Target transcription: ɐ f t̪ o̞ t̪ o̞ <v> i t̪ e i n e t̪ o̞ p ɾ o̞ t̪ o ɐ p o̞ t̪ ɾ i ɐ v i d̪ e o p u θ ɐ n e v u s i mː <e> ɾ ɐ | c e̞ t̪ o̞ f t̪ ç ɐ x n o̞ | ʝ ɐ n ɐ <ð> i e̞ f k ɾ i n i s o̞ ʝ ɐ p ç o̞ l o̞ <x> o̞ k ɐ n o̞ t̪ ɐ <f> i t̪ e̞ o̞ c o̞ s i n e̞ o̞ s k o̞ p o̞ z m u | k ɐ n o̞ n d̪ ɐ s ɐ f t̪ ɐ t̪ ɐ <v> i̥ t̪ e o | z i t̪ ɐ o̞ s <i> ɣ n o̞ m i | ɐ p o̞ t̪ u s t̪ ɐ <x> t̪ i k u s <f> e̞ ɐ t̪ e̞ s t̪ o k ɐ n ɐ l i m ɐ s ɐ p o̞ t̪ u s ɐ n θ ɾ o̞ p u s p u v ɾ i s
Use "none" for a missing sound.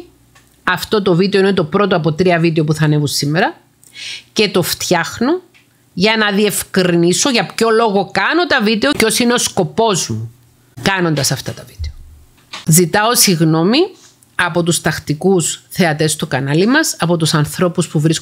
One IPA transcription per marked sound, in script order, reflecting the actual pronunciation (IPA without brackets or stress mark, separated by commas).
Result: v, e, ð, ɣ, v, v, i, x, θ